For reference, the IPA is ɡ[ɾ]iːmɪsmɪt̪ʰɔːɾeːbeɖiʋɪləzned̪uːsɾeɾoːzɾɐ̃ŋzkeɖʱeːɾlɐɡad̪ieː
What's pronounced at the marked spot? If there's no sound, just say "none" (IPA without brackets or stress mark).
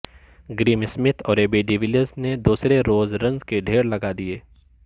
ɾ